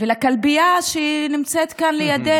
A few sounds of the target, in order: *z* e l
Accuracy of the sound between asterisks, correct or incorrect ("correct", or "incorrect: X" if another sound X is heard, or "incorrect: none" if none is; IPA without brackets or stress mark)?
incorrect: v